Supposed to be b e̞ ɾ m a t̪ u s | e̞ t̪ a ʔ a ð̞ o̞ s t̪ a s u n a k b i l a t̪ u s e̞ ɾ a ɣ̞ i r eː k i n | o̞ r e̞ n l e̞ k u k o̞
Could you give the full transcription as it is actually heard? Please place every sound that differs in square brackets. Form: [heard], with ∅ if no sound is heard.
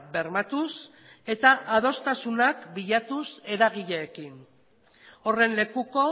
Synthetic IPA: b e̞ ɾ m a t̪ u s | e̞ t̪ a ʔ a ð̞ o̞ s t̪ a s u n a k b i [ʎ] a t̪ u s e̞ ɾ a ɣ̞ i [ʎ] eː k i n | o̞ r e̞ n l e̞ k u k o̞